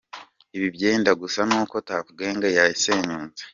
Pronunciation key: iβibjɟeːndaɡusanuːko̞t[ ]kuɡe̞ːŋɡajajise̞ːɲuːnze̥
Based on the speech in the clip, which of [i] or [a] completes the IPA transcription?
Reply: a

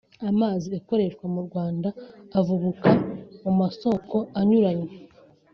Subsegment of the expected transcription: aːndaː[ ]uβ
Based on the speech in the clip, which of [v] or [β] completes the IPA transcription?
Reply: v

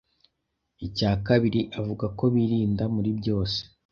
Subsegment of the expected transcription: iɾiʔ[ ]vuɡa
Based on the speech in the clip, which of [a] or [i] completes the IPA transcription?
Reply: a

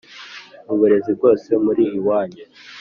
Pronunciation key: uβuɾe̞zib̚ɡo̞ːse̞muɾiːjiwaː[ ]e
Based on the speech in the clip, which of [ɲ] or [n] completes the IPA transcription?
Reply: ɲ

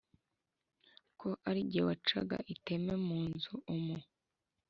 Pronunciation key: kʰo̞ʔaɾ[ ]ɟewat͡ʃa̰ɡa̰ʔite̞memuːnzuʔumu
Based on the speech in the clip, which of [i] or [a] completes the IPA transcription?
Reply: i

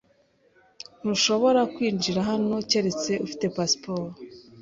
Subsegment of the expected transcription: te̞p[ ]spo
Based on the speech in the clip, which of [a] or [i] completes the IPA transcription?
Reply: a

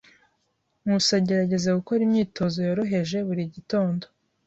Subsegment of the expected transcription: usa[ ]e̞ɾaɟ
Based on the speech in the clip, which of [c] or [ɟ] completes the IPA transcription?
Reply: ɟ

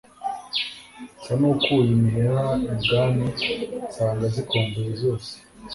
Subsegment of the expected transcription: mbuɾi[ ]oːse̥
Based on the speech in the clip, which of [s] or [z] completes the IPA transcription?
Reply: z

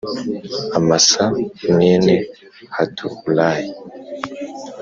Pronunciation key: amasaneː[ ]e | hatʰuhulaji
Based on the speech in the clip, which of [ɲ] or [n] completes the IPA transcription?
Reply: n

